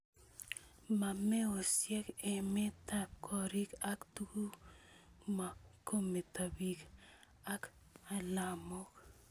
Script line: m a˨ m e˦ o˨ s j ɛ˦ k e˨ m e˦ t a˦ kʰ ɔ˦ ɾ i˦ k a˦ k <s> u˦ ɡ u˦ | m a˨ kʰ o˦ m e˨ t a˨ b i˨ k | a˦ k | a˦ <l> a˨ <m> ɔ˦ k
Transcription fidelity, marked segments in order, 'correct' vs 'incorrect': incorrect, correct, correct

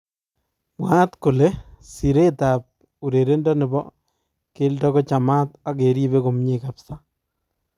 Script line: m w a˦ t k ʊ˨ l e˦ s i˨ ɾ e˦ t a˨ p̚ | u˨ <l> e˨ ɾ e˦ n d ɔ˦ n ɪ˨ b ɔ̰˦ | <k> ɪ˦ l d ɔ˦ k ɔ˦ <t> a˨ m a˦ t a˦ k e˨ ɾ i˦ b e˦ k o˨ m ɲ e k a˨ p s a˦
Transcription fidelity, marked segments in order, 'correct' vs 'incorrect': incorrect, correct, incorrect

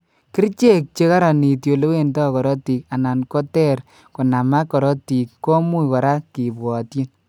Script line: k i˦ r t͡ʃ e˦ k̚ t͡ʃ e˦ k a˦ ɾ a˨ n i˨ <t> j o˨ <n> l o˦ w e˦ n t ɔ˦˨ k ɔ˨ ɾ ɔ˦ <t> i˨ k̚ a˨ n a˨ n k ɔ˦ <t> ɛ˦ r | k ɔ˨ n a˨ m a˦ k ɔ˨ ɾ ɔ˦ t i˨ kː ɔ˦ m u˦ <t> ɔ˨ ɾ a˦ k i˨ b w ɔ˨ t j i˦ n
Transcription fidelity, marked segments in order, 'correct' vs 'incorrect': correct, incorrect, correct, correct, incorrect

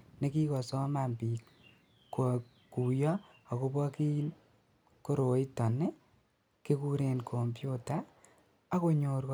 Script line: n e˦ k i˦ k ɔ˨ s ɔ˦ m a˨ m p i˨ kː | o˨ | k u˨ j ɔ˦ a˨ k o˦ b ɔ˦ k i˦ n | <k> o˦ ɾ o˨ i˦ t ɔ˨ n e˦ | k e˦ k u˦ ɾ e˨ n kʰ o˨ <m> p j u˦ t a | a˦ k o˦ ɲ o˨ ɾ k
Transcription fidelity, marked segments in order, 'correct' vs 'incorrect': correct, correct

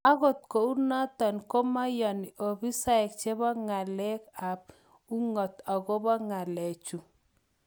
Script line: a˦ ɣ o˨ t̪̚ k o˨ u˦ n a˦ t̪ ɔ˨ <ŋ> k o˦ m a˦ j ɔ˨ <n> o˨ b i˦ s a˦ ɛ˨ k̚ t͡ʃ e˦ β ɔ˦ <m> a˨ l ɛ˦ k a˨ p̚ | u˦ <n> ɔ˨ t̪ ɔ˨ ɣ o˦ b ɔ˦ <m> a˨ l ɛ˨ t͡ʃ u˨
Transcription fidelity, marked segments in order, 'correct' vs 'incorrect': incorrect, correct, incorrect, incorrect, incorrect

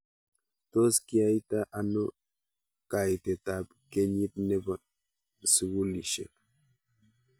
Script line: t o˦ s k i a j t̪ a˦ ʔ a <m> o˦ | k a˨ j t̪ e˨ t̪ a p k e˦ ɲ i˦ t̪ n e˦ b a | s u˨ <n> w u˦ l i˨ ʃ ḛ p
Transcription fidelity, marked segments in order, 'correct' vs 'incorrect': incorrect, incorrect

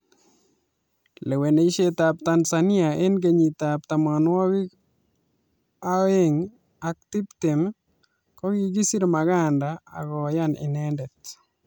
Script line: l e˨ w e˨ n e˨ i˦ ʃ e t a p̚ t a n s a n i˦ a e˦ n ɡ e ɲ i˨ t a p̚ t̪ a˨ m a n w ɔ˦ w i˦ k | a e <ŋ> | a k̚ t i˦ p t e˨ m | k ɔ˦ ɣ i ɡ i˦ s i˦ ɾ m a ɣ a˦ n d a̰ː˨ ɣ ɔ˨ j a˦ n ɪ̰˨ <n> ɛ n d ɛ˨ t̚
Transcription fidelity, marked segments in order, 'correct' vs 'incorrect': correct, correct

